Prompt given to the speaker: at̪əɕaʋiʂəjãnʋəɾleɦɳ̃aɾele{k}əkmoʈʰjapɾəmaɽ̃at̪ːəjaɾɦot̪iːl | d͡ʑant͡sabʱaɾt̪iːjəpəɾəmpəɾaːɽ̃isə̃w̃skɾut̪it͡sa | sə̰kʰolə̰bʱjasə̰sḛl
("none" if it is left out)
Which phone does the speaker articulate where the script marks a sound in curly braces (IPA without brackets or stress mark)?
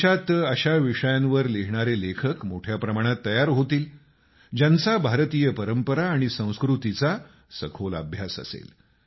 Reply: kʰ